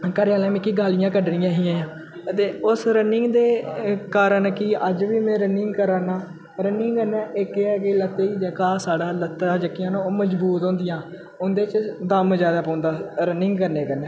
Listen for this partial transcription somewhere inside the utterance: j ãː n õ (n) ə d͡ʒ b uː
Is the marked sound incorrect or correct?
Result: incorrect: m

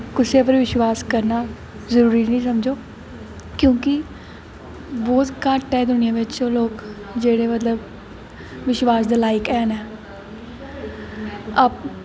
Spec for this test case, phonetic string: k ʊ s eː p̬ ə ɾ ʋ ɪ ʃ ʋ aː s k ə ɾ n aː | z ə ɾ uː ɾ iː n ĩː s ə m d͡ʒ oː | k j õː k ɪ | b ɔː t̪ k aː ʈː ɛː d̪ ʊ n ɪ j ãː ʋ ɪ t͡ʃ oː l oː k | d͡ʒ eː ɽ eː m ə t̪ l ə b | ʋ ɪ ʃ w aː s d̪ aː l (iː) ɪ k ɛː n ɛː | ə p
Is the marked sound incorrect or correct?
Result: incorrect: aː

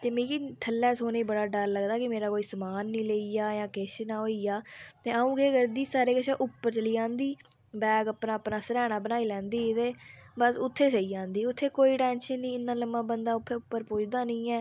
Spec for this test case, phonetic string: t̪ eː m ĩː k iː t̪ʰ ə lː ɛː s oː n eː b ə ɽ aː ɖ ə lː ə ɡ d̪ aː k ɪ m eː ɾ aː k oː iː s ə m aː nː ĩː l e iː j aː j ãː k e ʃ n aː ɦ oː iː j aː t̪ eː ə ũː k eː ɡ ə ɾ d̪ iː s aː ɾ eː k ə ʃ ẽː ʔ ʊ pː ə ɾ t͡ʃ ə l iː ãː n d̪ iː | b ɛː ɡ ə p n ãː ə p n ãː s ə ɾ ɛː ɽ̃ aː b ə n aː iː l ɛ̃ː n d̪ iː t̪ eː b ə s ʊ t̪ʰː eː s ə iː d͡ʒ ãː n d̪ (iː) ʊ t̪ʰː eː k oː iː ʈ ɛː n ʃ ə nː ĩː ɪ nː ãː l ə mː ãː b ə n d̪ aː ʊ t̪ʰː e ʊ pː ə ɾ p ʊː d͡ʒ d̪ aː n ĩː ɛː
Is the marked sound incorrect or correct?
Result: correct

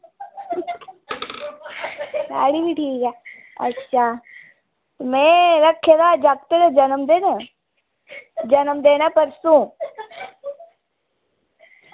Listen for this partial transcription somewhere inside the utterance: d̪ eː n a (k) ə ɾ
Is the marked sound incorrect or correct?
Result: incorrect: p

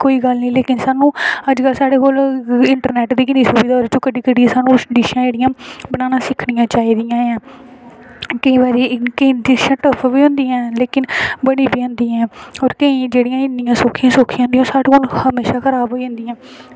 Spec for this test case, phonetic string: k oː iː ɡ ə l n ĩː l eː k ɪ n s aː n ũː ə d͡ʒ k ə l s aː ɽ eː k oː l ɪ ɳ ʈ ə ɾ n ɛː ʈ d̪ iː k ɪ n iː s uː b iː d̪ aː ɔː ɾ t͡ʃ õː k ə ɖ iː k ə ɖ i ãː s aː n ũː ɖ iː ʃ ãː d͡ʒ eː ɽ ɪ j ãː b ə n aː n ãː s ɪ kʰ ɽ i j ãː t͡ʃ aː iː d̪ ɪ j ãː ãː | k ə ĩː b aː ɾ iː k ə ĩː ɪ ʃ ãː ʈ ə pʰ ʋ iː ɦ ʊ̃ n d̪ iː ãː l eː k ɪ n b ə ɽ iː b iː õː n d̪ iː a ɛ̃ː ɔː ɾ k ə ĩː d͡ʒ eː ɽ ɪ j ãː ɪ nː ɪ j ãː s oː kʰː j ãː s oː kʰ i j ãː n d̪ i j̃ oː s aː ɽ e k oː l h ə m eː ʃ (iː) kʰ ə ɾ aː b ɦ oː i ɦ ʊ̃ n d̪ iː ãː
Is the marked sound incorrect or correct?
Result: incorrect: aː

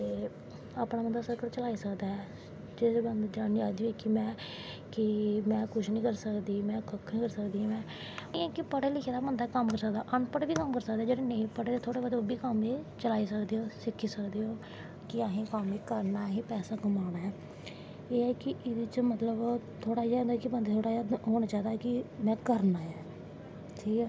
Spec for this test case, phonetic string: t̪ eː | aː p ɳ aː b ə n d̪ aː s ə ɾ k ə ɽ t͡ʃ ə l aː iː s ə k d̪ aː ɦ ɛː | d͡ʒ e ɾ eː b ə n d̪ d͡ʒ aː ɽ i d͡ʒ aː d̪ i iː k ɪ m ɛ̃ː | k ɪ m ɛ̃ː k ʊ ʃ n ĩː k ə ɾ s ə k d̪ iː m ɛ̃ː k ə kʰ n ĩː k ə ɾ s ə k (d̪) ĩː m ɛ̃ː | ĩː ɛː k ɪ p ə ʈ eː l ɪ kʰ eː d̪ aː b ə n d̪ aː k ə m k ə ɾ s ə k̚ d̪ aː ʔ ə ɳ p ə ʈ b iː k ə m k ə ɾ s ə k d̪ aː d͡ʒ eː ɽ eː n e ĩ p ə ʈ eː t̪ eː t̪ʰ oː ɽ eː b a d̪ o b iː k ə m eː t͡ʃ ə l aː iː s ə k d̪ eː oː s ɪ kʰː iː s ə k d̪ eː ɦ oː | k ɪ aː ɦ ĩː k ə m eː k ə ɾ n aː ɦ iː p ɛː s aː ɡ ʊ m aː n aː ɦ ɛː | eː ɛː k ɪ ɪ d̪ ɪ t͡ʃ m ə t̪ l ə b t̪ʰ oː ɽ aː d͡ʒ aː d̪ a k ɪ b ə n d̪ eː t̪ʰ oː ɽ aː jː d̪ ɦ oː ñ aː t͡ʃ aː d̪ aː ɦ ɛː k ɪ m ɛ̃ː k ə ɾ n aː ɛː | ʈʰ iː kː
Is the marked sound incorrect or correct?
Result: correct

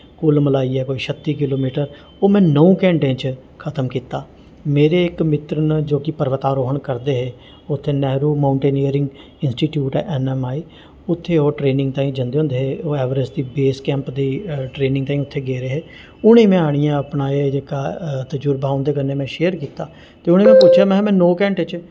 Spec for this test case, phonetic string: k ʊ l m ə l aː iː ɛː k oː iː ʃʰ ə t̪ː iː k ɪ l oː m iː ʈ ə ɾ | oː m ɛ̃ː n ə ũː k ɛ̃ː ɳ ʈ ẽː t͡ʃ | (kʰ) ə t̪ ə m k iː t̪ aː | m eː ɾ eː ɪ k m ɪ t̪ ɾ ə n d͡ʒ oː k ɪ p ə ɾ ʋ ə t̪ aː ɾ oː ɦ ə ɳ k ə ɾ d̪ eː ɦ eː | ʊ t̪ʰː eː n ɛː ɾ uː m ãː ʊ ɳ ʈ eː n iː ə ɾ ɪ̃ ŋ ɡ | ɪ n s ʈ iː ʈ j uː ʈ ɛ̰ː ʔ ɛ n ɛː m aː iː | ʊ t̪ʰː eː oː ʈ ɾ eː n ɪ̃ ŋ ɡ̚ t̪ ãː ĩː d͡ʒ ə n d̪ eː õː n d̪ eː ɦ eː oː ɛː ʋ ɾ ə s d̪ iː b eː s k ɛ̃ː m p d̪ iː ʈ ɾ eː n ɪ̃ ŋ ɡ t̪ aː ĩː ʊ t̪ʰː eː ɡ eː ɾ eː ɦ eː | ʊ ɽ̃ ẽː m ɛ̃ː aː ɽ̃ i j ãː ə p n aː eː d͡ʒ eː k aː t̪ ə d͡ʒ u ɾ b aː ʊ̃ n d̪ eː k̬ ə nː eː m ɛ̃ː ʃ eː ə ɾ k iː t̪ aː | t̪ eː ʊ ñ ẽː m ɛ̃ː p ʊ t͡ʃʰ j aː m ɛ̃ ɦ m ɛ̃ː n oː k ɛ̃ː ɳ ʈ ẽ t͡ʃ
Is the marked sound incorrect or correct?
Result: correct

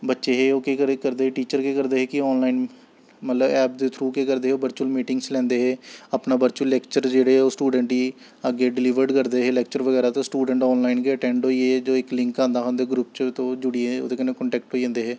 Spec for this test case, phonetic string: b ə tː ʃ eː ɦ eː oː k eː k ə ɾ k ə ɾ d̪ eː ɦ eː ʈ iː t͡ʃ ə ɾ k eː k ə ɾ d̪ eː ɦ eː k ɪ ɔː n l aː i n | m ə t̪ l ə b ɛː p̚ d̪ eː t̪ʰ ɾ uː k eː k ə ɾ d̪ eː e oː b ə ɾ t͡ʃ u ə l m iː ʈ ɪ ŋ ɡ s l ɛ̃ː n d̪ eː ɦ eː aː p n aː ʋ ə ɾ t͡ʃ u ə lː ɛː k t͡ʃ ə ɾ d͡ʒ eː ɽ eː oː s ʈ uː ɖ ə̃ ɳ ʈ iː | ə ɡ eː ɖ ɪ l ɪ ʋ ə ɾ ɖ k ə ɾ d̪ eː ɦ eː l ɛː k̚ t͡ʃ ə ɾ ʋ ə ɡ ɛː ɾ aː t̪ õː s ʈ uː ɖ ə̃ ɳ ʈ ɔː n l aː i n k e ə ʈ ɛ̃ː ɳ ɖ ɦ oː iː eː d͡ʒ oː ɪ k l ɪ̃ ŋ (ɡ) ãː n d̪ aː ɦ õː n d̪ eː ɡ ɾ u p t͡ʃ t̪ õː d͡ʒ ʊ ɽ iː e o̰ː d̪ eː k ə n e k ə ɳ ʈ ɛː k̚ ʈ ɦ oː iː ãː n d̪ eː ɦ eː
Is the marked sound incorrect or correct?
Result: incorrect: k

